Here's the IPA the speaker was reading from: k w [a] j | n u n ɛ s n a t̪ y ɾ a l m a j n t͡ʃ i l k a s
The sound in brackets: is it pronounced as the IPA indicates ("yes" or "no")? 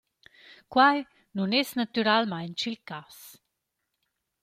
yes